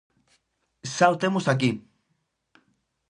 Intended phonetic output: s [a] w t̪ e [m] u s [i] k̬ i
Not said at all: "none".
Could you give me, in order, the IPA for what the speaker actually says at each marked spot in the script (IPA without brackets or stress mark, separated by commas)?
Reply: a, m, a